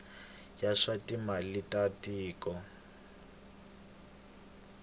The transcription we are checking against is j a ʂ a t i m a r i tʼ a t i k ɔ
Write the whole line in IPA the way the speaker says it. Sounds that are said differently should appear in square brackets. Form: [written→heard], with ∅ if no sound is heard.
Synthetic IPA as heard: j a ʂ a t i m a [r→l] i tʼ a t [i→iː] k ɔ